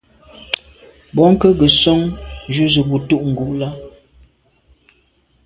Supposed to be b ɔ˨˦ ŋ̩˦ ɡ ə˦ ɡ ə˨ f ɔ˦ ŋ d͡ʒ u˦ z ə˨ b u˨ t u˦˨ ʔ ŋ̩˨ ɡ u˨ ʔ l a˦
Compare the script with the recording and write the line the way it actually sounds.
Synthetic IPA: b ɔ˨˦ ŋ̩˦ k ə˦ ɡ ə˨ s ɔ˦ ŋ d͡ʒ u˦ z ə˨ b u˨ t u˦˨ ʔ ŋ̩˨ ɡ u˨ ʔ l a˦